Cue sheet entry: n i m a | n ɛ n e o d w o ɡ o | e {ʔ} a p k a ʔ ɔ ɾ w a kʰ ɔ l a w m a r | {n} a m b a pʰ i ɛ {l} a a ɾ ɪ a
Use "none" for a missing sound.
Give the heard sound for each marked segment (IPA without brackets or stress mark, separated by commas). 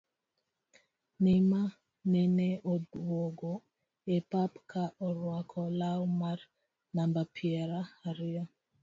p, n, ɾ